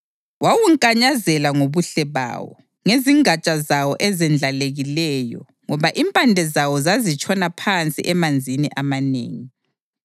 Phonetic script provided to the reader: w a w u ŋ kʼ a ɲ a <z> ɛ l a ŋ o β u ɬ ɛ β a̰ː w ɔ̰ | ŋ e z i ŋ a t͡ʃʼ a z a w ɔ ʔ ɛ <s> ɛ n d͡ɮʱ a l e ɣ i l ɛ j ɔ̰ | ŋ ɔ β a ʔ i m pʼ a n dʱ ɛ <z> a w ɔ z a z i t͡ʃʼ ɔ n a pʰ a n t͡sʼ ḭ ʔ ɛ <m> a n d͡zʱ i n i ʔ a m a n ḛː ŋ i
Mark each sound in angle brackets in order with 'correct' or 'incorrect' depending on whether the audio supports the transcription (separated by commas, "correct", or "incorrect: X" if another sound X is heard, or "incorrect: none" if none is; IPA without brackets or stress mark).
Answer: correct, incorrect: z, correct, correct